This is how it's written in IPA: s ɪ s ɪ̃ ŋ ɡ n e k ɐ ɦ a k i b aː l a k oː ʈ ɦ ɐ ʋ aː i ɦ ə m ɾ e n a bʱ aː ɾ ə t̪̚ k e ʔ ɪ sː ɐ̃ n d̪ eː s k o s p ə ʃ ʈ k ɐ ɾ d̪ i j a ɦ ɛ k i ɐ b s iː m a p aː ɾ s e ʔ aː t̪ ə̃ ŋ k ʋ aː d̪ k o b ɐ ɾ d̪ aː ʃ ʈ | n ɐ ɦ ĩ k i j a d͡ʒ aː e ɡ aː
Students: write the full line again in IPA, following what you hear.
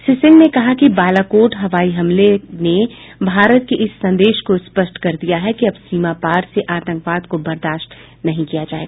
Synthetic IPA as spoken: s ɪ s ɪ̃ ŋ ɡ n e k ɐ ɦ a k i b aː l a k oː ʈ ɦ ɐ ʋ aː i ɦ ɐ m l e n e bʱ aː ɾ ə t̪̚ k e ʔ ɪ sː ɐ̃ n d̪ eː ʃ k o s p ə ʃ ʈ k ɐ ɾ d̪ i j a ɦ ɛ k i ɐ b s iː m a p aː ɾ s e ʔ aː t̪ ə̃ ŋ k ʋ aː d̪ k o b ɐ ɾ d̪ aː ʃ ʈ | n ɐ ɦ ĩ k i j a d͡ʒ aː e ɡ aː